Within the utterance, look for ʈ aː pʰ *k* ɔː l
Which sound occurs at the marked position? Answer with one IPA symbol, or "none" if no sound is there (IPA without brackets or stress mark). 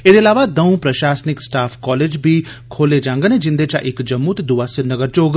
k